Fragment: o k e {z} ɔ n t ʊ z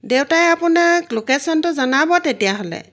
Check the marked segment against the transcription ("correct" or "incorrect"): incorrect